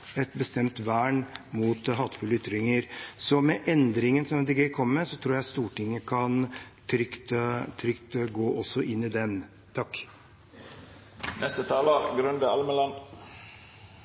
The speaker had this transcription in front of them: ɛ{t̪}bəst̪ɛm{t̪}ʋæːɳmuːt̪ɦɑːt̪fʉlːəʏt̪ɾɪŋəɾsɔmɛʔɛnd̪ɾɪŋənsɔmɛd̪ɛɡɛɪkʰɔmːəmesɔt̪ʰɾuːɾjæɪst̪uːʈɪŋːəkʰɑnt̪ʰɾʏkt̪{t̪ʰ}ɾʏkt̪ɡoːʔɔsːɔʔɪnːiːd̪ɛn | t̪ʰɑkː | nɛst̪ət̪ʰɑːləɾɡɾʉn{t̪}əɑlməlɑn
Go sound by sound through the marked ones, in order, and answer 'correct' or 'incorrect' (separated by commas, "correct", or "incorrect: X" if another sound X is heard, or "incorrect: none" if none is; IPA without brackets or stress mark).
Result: correct, correct, correct, incorrect: d̪